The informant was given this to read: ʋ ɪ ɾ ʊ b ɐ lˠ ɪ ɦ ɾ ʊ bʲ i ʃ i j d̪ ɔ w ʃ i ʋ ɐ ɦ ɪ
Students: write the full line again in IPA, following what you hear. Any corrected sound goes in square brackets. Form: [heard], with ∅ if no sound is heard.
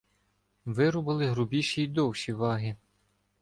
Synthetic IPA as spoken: ʋ ɪ ɾ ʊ b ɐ lˠ ɪ ɦ ɾ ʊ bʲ i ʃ i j d̪ ɔ w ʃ i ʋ [ɑ] ɦ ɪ